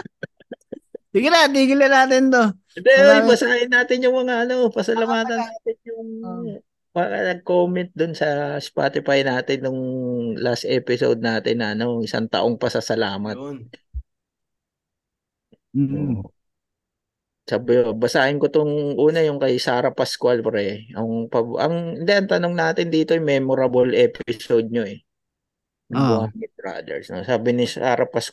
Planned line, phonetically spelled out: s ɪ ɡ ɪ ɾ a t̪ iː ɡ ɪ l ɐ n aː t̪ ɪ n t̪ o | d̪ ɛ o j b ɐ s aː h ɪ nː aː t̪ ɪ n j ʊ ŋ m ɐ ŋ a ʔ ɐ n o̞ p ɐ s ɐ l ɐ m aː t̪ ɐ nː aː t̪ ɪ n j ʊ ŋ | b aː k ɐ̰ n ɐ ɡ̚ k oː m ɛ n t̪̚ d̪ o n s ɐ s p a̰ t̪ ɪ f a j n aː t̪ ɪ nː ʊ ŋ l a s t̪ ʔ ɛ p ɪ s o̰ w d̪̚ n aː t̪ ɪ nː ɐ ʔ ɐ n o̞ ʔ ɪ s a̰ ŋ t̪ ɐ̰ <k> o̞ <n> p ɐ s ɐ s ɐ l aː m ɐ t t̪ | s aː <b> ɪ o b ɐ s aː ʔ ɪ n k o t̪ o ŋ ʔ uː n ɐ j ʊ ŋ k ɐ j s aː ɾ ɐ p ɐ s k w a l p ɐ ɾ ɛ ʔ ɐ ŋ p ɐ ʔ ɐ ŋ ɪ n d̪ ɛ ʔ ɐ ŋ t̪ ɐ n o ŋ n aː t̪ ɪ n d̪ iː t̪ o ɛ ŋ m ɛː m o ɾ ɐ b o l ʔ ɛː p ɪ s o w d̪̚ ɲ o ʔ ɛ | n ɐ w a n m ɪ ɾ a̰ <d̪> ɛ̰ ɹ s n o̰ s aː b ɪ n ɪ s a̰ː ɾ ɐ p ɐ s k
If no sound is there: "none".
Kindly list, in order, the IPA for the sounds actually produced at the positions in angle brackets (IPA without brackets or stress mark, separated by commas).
ʔ, ŋ, b, d̪